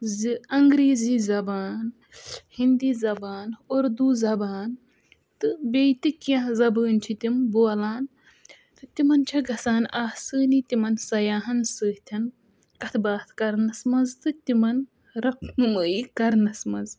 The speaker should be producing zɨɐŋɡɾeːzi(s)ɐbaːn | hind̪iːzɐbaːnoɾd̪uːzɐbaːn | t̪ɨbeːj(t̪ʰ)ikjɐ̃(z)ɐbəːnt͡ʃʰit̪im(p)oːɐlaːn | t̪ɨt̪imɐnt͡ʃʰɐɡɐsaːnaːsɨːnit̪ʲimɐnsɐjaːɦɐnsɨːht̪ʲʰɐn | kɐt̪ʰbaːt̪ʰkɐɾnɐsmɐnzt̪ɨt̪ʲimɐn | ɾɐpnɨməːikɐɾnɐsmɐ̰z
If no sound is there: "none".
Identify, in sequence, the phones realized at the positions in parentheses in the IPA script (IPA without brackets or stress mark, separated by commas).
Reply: z, t̪, z, b